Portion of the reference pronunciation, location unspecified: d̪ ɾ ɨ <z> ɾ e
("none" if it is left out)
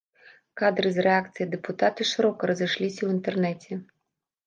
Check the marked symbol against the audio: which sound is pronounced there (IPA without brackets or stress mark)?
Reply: z